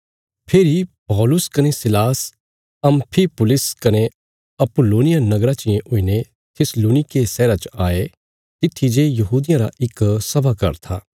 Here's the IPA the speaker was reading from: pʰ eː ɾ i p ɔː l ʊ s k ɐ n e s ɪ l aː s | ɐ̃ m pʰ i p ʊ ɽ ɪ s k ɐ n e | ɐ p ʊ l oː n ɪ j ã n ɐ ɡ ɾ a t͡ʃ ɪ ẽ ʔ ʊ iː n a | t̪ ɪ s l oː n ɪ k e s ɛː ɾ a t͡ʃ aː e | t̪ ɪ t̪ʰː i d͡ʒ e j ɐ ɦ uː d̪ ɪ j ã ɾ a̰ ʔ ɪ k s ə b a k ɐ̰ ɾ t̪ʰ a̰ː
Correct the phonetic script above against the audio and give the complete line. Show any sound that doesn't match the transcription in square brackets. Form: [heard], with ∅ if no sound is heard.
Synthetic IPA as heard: pʰ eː ɾ i p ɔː l ʊ s k ɐ n e s ɪ l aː s | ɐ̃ m pʰ i p ʊ [l] ɪ s k ɐ n e | ɐ p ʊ l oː n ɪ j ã n ɐ ɡ ɾ a t͡ʃ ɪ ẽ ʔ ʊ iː n [e] | [t̪ʰ] ɪ s l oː n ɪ k e s ɛː ɾ a t͡ʃ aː e | t̪ ɪ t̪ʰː i d͡ʒ e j ɐ ɦ uː d̪ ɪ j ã ɾ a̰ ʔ ɪ k s [ɐ] b a k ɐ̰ ɾ t̪ʰ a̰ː